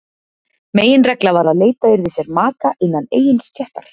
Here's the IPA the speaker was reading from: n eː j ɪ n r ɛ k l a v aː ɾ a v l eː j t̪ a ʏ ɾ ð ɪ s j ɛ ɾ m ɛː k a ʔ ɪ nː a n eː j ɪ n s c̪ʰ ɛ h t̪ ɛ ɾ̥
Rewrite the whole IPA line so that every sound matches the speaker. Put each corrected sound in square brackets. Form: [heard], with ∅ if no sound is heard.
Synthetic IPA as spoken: [m] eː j ɪ n r ɛ k l a v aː ɾ a [ð] l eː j t̪ a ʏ ɾ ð ɪ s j ɛ ɾ m [aː] k a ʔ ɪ nː a n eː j ɪ n s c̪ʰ ɛ h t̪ [a] ɾ̥